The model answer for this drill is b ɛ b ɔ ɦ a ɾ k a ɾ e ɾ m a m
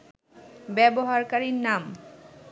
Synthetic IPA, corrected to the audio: b ɛ b o ɦ a ɾ k a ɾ i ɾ n a m